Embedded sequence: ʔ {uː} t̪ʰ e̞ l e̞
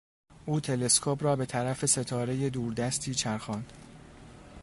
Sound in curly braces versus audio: correct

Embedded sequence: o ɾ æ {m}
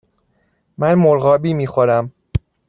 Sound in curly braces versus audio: correct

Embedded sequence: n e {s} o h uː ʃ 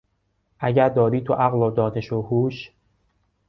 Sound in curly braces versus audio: incorrect: ʃ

